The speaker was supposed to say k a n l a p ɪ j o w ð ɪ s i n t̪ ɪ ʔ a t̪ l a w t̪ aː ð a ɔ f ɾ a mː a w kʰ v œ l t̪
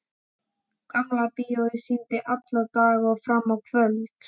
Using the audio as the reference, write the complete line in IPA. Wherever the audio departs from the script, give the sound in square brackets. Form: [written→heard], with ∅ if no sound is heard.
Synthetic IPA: k a [n→m] l a p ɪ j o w ð ɪ s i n t̪ ɪ ʔ a t̪ l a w t̪ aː [ð→ɣ] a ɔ f ɾ a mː a w kʰ v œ l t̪